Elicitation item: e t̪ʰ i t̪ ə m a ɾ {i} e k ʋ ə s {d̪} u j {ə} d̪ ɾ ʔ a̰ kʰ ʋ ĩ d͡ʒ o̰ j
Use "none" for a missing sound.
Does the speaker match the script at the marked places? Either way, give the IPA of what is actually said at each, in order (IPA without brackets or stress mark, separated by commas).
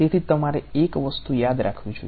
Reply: e, t̪, a